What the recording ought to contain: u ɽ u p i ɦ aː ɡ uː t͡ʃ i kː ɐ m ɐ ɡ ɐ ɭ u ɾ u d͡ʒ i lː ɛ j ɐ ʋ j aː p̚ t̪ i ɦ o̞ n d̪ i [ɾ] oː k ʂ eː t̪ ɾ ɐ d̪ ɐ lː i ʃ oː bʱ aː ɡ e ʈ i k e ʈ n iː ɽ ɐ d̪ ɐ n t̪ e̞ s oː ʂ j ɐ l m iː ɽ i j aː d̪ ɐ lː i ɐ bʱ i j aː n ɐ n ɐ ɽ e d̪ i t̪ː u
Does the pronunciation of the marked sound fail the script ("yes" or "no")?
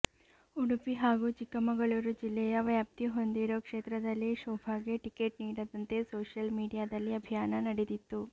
no